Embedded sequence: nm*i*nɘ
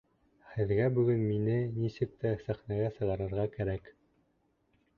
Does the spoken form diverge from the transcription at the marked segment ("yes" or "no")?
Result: no